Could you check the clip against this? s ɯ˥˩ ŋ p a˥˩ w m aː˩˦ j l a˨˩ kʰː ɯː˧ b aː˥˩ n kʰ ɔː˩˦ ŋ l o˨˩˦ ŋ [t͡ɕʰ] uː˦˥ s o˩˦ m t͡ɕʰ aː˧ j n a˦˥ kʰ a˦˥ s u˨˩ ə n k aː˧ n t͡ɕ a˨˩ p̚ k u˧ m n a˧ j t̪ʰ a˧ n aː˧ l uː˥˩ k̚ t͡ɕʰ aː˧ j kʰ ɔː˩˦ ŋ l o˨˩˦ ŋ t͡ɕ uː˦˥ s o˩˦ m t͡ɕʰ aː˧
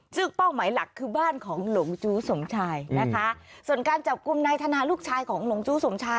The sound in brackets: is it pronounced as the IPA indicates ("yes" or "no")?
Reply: no